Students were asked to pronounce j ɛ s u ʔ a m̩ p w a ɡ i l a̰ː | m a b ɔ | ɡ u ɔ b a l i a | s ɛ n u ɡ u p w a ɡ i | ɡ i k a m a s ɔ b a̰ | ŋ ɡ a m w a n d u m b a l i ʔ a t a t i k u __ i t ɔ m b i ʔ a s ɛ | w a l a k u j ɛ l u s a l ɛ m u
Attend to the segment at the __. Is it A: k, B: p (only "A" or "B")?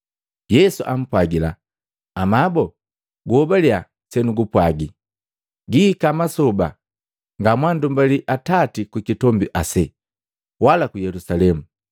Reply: A